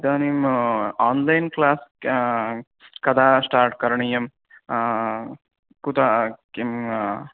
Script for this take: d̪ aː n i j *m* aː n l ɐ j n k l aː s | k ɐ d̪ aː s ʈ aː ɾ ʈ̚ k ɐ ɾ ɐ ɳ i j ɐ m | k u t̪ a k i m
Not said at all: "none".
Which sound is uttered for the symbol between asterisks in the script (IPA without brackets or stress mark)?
m